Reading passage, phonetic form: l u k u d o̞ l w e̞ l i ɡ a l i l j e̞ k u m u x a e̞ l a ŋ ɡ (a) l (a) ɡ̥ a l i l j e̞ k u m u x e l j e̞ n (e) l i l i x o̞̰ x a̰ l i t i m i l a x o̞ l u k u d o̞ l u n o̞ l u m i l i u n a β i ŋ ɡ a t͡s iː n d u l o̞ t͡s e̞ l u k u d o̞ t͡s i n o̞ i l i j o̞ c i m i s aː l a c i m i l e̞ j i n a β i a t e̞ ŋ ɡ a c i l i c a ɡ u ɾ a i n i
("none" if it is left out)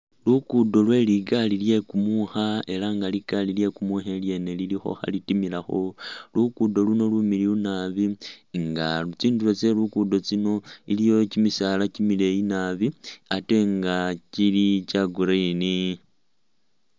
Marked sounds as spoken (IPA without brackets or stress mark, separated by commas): a, i, e